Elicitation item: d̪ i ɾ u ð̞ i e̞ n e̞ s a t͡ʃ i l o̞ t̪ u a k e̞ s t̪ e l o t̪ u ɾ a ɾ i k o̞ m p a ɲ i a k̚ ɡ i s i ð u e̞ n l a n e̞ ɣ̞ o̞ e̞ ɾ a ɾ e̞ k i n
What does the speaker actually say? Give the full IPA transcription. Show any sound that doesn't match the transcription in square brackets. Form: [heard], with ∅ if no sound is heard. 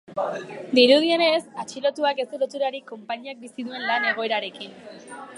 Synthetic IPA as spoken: d̪ i ɾ u ð̞ i e̞ n e̞ s a t͡ʃ i l o̞ t̪ u a k e̞ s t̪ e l o t̪ u ɾ a ɾ i k o̞ m p a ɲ i a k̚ [b] i s i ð u e̞ n l a n e̞ ɣ̞ o̞ e̞ ɾ a ɾ e̞ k i n